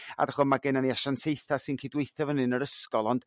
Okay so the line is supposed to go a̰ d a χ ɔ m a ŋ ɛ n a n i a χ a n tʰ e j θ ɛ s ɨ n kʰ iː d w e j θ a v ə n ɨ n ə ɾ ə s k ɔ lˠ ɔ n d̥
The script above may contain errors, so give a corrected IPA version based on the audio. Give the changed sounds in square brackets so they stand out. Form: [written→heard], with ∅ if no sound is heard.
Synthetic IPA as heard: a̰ d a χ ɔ m a [ŋ→ɡ] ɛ n a n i a [χ→ʃ] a n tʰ e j θ [ɛ→a] s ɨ n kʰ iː d w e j θ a v ə n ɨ n ə ɾ ə s k ɔ lˠ ɔ n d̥